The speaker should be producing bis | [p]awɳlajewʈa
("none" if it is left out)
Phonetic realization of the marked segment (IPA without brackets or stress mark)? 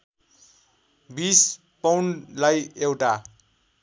p